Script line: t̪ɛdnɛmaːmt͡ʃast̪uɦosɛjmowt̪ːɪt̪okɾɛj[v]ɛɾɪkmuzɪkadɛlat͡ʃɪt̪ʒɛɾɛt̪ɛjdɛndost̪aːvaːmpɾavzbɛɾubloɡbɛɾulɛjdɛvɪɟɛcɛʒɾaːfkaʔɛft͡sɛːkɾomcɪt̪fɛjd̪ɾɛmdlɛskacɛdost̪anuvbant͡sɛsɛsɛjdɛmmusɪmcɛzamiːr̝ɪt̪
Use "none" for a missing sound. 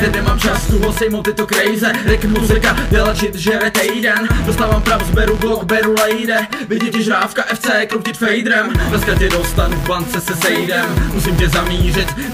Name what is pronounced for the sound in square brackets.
z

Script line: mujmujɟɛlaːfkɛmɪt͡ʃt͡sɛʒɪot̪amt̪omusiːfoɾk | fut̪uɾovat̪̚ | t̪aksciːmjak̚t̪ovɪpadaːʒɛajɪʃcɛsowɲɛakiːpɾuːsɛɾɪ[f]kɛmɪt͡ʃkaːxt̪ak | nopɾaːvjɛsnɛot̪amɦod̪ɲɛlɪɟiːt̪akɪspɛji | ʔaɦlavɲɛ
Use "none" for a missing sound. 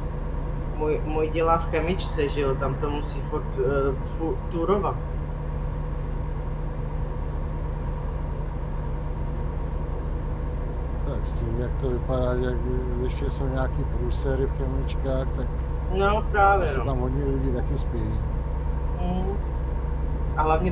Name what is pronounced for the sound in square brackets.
f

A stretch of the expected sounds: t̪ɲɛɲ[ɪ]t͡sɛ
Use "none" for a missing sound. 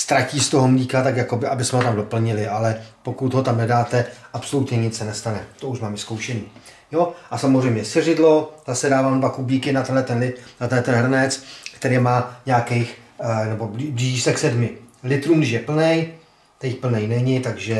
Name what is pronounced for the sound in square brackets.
ɪ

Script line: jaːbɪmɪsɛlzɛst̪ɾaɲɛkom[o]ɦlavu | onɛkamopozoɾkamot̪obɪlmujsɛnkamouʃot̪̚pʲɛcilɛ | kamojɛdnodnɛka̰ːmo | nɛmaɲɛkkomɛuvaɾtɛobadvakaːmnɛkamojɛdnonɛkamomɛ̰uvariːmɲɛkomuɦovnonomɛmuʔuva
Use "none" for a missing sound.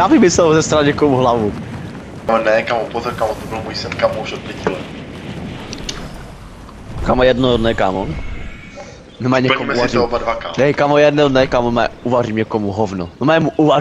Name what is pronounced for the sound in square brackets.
u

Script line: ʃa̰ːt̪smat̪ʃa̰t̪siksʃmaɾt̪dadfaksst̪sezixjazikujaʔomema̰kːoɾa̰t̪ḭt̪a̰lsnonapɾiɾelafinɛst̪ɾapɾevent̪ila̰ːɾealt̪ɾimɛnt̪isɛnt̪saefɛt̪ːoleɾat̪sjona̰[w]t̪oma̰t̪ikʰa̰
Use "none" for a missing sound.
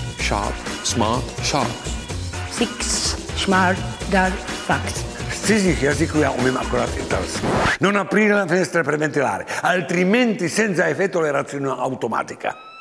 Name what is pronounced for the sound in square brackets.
w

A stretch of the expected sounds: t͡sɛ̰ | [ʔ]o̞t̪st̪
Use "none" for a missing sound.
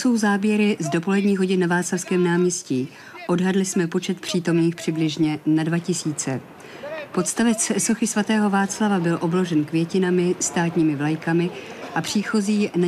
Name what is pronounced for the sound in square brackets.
p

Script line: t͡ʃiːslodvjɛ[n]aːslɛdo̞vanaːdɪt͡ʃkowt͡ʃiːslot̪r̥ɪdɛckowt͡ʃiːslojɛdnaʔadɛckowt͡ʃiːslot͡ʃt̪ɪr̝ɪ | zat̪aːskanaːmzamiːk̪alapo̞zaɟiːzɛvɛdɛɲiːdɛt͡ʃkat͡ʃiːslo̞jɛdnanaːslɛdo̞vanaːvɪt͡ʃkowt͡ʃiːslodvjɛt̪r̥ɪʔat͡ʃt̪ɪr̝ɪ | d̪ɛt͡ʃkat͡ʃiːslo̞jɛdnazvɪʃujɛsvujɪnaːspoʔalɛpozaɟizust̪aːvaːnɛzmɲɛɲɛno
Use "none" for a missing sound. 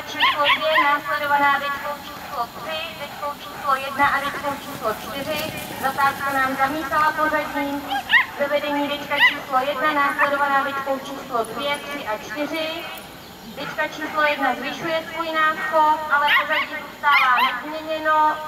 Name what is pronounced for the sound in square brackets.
n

